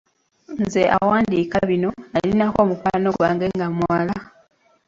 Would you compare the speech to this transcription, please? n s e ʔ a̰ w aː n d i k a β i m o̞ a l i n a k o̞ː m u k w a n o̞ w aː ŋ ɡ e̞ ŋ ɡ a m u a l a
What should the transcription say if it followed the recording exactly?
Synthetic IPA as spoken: n z e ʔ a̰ w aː n d i k a β i n o̞ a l i n a k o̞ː m u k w a n o̞ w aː ŋ ɡ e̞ ŋ ɡ a m w a l a